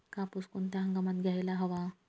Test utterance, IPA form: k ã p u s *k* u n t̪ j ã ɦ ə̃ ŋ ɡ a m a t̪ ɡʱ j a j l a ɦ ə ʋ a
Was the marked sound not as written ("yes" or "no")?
no